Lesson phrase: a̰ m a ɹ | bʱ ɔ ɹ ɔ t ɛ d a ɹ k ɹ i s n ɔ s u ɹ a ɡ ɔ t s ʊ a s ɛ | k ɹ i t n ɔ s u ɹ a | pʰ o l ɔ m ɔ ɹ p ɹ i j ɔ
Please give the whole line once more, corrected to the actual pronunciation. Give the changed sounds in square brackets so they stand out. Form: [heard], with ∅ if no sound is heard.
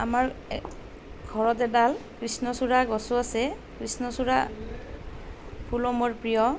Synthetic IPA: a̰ m a ɹ | [ɡʱ] ɔ ɹ ɔ t ɛ d a [l] k ɹ i s n ɔ s u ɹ a ɡ ɔ [∅] s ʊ a s ɛ | k ɹ i [s] n ɔ s u ɹ a | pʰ [u] l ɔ m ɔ ɹ p ɹ i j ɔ